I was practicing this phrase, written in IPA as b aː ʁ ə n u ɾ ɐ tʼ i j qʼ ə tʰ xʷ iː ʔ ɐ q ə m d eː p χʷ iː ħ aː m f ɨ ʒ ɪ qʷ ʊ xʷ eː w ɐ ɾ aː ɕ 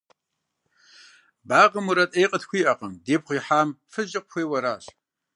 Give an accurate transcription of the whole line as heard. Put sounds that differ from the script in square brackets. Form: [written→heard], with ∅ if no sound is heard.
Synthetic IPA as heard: b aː ʁ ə [n→m] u ɾ ɐ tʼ [i→e] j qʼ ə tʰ xʷ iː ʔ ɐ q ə m d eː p χʷ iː ħ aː m f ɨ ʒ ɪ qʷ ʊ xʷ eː w ɐ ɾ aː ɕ